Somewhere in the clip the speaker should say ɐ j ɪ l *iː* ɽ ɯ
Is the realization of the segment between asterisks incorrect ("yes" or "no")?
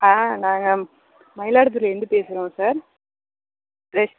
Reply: yes